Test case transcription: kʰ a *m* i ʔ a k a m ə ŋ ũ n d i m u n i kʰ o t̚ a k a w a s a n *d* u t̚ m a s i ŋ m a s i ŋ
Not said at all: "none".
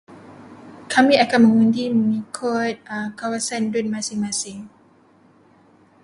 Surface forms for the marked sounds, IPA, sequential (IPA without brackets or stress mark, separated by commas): m, d